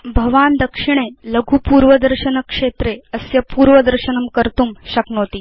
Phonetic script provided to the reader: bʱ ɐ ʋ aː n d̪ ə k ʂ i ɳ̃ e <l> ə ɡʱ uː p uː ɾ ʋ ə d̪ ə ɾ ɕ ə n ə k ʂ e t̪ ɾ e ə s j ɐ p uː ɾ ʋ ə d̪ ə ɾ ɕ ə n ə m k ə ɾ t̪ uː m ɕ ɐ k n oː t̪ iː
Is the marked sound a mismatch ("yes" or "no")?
no